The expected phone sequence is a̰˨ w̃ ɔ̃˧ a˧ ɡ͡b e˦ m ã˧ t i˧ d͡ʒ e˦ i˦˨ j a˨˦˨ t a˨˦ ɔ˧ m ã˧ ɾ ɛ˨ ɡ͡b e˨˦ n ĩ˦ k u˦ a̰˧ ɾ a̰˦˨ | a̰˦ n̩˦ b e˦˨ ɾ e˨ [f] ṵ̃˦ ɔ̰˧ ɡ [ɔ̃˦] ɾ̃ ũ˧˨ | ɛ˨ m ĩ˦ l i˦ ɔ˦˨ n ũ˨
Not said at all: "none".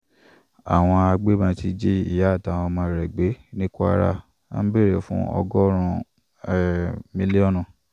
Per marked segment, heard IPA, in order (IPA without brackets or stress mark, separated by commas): f, ɔ˦